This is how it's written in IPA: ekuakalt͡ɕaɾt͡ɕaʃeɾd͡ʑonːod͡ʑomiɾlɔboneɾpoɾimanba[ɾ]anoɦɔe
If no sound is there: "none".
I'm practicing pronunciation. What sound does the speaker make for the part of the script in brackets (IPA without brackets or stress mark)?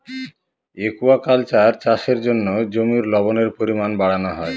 ɽ